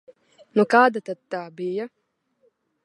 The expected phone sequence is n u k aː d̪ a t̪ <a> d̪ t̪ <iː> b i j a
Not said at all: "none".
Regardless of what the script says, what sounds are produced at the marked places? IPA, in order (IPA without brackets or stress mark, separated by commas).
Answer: a, aː